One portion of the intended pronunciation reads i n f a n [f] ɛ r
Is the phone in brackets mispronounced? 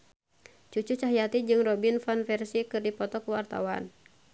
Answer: no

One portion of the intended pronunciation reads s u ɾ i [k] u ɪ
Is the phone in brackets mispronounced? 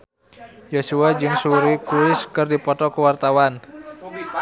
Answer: no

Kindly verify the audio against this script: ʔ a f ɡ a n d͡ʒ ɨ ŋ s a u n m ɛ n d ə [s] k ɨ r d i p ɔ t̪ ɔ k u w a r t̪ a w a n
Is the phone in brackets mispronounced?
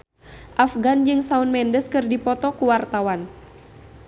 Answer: no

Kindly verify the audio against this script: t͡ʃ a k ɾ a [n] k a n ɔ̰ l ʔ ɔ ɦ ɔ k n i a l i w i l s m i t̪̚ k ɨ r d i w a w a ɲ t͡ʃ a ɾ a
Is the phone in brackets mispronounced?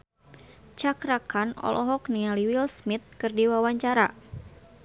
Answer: yes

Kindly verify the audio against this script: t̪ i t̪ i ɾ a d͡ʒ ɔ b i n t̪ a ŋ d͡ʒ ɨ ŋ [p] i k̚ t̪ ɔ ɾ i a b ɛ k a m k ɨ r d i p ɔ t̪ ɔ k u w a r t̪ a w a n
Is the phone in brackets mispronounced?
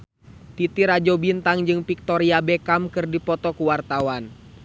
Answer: no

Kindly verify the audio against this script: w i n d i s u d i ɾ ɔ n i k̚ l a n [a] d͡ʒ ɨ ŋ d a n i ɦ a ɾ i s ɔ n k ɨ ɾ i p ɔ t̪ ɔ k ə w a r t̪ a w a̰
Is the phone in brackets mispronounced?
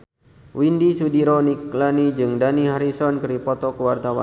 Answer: yes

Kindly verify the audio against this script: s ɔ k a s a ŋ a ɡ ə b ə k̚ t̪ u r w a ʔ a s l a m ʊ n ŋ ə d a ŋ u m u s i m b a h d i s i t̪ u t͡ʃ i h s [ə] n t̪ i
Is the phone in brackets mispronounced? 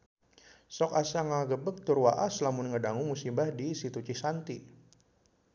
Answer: yes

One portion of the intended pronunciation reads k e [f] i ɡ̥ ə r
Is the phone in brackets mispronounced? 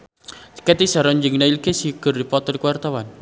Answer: yes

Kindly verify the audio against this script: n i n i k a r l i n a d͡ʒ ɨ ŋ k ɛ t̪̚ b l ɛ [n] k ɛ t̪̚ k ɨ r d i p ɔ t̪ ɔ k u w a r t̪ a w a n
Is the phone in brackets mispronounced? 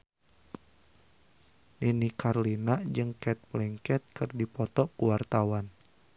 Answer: yes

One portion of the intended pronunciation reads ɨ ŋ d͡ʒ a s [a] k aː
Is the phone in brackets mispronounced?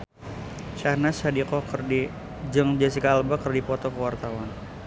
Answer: yes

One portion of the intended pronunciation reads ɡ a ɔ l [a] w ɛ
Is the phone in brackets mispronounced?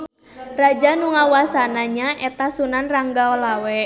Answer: no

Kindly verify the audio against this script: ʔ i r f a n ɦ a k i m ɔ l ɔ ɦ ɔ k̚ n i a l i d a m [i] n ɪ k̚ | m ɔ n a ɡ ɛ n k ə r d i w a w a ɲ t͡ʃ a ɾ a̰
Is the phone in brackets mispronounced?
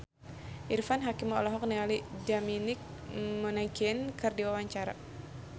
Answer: no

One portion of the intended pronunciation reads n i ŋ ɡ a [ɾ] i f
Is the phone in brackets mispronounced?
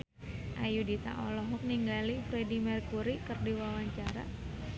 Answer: yes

